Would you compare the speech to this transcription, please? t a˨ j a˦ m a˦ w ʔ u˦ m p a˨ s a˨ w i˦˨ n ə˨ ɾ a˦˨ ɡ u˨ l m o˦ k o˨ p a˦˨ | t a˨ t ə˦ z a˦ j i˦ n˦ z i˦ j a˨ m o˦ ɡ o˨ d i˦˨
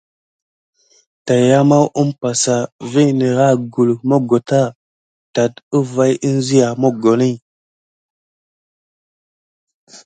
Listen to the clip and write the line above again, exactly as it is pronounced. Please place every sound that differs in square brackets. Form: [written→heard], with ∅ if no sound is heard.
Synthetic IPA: t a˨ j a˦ m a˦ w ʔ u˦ m p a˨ s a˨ [w→v] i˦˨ n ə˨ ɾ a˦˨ ɡ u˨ l m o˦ [k→ɡ] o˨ [p→t] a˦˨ | t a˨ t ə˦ [z→v] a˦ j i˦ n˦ z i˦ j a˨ m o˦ ɡ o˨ [d→n] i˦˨